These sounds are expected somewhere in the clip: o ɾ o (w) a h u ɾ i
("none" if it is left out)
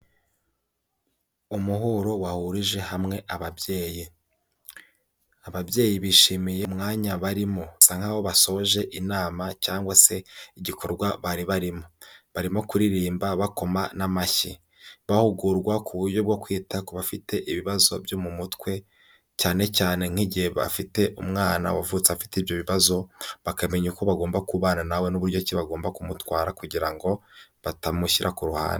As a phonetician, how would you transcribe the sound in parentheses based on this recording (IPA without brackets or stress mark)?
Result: w